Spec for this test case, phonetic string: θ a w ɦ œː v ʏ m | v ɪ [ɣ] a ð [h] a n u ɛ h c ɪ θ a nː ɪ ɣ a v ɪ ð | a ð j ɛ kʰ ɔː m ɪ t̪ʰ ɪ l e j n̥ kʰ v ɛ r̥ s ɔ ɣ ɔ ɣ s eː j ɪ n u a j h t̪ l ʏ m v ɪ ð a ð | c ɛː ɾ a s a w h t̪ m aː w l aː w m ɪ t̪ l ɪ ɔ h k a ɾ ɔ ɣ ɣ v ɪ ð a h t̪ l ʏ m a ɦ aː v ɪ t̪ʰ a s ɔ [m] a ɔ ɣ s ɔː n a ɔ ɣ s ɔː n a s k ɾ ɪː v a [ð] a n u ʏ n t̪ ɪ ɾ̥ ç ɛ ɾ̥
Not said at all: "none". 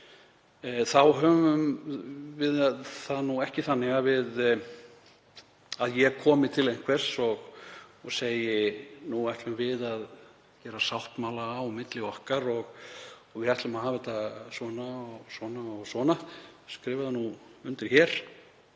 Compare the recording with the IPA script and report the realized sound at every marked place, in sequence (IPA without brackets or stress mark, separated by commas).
ð, θ, n, ð